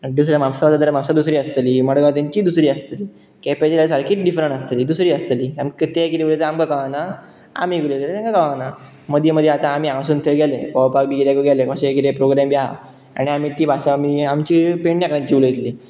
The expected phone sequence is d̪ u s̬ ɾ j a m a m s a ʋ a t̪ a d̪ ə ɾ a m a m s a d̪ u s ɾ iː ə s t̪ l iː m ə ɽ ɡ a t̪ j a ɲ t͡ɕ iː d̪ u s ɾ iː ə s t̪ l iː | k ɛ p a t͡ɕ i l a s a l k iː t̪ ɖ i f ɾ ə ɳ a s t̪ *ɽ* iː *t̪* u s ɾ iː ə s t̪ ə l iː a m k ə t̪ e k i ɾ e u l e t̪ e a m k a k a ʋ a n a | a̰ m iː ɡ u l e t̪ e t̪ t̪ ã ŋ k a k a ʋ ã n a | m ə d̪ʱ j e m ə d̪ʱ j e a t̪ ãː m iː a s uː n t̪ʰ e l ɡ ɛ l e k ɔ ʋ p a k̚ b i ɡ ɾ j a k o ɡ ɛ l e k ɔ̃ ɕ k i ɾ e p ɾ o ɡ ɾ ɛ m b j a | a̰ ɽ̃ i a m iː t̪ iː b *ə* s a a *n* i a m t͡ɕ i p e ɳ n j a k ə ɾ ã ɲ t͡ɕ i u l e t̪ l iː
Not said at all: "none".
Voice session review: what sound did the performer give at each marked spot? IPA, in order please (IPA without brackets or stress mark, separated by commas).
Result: l, d̪, a, m